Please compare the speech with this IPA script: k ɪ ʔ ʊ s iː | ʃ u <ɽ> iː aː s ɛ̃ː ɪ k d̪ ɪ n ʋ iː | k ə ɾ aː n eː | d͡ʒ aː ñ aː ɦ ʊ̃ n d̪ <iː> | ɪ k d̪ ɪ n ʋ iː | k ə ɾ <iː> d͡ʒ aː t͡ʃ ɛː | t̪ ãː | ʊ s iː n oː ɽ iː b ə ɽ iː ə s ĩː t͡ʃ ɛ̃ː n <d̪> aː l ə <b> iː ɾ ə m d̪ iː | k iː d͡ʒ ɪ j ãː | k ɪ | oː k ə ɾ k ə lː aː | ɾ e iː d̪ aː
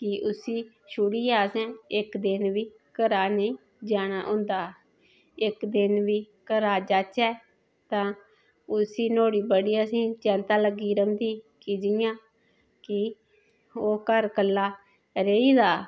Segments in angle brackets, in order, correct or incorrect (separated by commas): correct, incorrect, incorrect, incorrect, incorrect